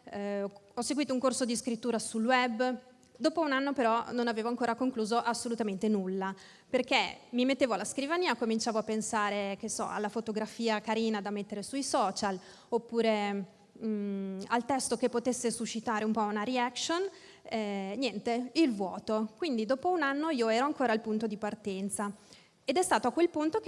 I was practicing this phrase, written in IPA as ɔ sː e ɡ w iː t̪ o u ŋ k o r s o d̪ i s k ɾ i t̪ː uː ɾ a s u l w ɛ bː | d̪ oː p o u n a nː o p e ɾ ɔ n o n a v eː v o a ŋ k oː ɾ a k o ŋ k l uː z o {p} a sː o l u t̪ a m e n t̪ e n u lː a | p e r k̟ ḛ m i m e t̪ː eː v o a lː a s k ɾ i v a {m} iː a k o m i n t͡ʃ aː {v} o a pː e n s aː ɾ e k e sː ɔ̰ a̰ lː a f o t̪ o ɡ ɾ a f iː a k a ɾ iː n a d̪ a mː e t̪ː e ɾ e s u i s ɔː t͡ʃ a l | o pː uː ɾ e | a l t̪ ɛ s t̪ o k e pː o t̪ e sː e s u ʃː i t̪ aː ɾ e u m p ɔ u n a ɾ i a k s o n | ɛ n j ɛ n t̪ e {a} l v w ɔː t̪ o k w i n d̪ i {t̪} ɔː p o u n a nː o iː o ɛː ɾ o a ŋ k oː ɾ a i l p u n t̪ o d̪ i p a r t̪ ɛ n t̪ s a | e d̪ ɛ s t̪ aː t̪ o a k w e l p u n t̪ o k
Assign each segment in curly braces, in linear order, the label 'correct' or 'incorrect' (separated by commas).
incorrect, incorrect, correct, incorrect, incorrect